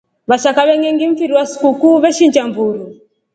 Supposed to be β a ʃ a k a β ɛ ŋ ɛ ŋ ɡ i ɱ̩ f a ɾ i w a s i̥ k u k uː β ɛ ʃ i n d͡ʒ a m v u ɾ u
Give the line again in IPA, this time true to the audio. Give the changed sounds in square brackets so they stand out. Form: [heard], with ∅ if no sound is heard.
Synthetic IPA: β a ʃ a k a β ɛ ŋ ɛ ŋ ɡ i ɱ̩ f [i] ɾ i w a s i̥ k u k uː β ɛ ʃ i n d͡ʒ a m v u ɾ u